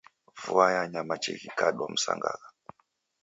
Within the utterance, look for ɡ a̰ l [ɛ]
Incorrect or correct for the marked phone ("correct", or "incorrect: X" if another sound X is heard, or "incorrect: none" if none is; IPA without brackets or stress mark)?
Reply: incorrect: a